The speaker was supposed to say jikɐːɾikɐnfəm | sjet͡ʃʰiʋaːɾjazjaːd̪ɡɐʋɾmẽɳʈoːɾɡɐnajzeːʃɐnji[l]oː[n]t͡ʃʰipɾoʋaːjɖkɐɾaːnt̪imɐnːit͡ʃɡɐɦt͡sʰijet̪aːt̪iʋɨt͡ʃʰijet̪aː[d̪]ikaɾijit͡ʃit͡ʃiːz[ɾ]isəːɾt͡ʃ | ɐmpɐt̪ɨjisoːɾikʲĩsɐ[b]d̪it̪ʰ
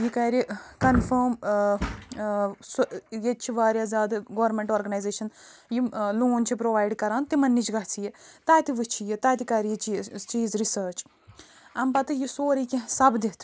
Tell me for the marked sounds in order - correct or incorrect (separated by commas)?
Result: correct, correct, incorrect, correct, correct